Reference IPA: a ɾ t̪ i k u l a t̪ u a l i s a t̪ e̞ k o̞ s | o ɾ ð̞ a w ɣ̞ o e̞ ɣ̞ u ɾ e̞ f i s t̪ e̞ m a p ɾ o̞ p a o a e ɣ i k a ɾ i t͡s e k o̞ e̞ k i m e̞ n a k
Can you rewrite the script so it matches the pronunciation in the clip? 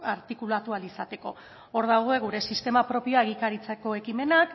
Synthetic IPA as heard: a ɾ t̪ i k u l a t̪ u a l i s a t̪ e̞ k o̞ | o ɾ ð̞ a w ɣ̞ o e̞ ɣ̞ u ɾ e̞ s i s t̪ e̞ m a p ɾ o̞ p i o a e ɣ i k a ɾ i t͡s e k o̞ e̞ k i m e̞ n a k